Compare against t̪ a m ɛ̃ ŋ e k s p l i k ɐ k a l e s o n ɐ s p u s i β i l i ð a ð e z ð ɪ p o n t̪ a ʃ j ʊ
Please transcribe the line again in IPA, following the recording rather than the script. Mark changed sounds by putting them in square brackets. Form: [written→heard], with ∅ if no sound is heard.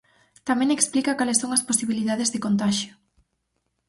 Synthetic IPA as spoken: t̪ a m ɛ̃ ŋ e k s p l i k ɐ k a l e s o [n→ŋ] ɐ s p [u→o] s i β i l i ð a ð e z ð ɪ [p→k] o n t̪ a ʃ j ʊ

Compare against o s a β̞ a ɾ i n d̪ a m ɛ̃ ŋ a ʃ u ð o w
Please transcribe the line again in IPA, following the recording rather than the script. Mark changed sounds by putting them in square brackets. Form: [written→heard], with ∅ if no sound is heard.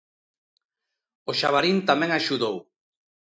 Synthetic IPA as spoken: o [s→ʃ] a β̞ a ɾ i n [d̪→t̪] a m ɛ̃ ŋ a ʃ u ð o w

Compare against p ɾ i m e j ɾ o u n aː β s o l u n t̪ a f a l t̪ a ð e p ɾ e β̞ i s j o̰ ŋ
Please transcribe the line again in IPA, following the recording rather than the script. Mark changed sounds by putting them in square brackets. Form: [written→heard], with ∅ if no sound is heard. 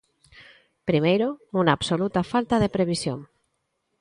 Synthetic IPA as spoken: p ɾ i m e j ɾ o u n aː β s o l u [n→∅] t̪ a f a l t̪ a ð e p ɾ e β̞ i s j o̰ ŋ

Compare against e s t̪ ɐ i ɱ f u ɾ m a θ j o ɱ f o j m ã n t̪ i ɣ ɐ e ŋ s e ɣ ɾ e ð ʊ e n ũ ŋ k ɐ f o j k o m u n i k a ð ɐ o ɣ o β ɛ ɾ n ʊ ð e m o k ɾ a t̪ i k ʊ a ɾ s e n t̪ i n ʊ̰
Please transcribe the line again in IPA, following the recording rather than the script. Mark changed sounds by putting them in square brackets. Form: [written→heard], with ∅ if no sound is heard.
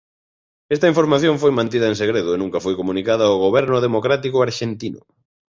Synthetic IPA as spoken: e s t̪ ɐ i ɱ f [u→o] ɾ m a θ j o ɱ f o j m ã n t̪ i [ɣ→ð] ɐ e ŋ s e ɣ ɾ e ð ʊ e n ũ ŋ k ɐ f o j k o m u n i k a ð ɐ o ɣ o β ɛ ɾ n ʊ ð e m o k ɾ a t̪ i k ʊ a ɾ [s→ʃ] e n t̪ i n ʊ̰

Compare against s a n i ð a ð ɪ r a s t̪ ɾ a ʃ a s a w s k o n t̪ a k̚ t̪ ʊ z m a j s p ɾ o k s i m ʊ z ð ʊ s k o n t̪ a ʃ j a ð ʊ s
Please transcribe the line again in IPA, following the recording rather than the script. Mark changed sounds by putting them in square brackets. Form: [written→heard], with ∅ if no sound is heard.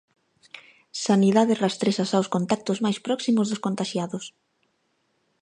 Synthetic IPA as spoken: s a n i ð a ð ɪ r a s t̪ ɾ [a→e] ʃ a s a w s k o n t̪ a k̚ t̪ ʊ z m a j s p ɾ [o→ɔ] k s i m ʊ z ð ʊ s k o n t̪ a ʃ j a ð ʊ s

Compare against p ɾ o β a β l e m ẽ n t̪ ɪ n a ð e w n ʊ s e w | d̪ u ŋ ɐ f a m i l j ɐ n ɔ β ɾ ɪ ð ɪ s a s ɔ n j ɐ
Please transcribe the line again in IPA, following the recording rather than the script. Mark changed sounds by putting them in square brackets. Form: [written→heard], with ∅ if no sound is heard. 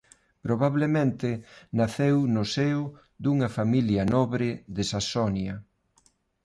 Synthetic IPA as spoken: p ɾ o β a β l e m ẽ n t̪ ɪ n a [ð→θ] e w n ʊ s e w | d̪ u ŋ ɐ f a m i l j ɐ n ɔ β ɾ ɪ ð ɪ s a s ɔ n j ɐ

